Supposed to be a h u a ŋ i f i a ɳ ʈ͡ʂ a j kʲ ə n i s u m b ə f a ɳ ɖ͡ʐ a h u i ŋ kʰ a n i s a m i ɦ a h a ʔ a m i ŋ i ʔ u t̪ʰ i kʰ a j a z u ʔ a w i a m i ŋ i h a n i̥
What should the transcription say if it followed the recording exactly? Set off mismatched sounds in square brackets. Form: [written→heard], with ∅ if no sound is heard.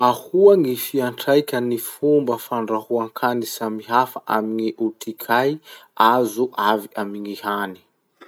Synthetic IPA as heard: a h u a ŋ i f i a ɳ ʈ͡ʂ a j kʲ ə n i [s→f] u m b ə f a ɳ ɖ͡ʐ a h u [i→a] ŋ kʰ a n i s a m i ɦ a [h→f] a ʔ a m i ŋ i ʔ u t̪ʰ i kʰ a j a z u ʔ a [w→v] i a m i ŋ i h a n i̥